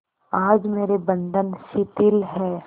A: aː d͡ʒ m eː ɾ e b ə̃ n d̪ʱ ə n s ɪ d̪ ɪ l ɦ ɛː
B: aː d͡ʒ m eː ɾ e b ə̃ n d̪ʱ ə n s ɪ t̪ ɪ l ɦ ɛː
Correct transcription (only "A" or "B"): B